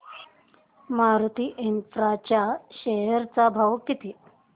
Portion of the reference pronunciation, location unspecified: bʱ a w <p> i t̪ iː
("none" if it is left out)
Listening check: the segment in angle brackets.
k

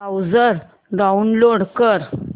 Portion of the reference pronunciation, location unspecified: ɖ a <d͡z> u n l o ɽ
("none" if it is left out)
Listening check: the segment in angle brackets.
none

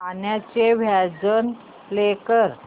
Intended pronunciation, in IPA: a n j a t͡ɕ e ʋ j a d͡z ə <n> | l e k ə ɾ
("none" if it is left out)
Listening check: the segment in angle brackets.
n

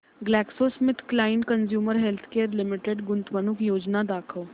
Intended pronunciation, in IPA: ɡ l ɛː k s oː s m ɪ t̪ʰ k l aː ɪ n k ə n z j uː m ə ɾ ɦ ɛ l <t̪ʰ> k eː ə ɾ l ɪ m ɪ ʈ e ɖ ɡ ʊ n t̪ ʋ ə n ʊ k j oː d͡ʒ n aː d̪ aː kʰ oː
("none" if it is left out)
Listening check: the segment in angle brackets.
t̪ʰ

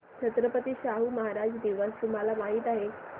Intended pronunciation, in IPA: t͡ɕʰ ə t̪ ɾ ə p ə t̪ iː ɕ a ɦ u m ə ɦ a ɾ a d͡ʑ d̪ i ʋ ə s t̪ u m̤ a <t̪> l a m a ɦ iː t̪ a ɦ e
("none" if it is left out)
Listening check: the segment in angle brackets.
none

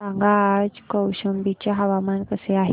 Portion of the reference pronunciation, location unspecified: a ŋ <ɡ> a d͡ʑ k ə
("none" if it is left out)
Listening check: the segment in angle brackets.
ɡ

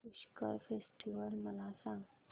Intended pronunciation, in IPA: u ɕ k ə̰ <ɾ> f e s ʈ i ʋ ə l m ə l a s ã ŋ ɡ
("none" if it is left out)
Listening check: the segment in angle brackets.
ɾ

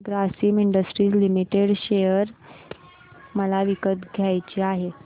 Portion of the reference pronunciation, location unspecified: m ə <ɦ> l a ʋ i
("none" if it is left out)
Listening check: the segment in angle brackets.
none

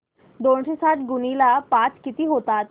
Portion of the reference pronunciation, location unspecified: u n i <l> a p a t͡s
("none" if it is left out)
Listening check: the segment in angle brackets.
l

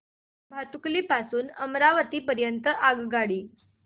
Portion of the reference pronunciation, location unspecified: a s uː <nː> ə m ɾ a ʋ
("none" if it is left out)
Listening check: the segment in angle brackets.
n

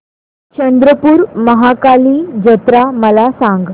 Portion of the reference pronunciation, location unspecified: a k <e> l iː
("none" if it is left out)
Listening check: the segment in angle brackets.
a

